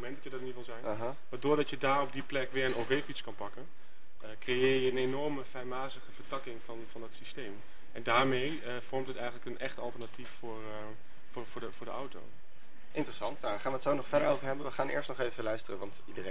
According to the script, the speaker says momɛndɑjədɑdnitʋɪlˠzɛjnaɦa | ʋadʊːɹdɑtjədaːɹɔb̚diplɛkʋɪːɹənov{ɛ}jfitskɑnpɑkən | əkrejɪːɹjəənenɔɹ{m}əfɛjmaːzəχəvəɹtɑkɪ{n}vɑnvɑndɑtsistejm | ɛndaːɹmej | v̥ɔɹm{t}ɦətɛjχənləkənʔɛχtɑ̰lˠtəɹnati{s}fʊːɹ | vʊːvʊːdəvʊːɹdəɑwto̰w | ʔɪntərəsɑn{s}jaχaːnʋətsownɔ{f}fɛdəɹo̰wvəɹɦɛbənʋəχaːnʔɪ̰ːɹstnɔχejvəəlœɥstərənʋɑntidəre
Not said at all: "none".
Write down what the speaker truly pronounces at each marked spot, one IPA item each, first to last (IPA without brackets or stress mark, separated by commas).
e, m, ŋ, t, f, t, χ